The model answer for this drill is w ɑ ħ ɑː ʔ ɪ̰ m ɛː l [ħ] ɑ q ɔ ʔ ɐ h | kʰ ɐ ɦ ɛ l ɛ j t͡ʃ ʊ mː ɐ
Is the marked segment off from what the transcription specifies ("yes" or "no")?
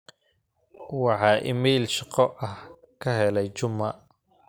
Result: yes